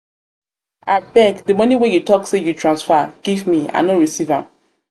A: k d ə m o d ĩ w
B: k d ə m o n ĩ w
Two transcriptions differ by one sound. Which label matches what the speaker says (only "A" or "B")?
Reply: B